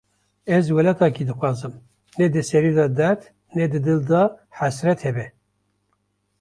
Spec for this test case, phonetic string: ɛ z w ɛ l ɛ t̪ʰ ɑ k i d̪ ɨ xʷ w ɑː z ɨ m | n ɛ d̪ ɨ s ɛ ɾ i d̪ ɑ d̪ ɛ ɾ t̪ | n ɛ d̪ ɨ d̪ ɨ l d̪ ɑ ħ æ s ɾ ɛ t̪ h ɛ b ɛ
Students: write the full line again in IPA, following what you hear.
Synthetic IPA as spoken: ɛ z w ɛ l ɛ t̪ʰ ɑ k i d̪ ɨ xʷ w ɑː z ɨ m | n ɛ d̪ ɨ s ɛ ɾ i d̪ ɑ d̪ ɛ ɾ t̪ | n ɛ d̪ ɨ d̪ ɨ l d̪ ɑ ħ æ s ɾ ɛ t̪ h ɛ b ɛ